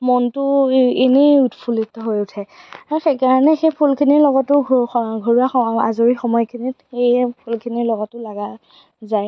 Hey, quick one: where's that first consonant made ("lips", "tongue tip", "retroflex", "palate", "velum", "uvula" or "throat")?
lips